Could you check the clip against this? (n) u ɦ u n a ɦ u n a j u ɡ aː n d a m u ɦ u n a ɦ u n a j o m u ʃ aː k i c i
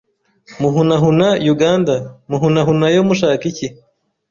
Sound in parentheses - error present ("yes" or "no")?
yes